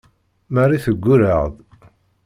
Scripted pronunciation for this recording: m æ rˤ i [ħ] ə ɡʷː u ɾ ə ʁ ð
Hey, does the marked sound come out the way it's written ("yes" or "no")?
no